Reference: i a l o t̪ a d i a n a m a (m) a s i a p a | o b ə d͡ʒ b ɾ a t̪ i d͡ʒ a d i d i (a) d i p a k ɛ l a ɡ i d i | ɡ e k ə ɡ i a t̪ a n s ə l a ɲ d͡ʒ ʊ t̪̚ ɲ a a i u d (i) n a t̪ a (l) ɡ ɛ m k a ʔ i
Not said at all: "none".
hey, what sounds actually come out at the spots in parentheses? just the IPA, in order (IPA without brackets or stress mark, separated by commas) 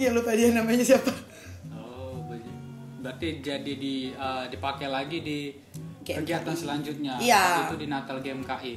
ɲ, ə, i, l